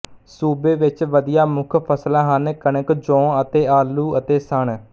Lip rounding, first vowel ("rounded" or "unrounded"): rounded